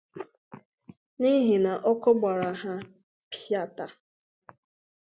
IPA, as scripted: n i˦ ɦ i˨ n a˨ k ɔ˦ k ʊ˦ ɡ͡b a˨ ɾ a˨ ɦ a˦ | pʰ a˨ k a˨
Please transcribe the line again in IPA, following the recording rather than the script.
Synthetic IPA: n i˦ ɦ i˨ n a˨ ʔ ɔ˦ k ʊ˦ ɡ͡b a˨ ɾ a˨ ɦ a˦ | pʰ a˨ t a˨